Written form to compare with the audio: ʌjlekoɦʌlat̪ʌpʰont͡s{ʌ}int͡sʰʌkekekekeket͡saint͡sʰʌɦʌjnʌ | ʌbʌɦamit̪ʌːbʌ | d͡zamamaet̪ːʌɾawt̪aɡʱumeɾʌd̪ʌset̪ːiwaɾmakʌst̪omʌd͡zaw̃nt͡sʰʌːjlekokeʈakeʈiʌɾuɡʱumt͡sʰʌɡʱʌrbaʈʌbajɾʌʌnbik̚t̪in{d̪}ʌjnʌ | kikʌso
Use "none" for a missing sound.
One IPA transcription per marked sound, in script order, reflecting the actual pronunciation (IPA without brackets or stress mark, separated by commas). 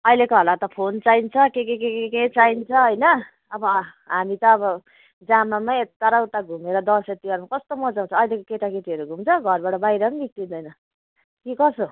a, d̪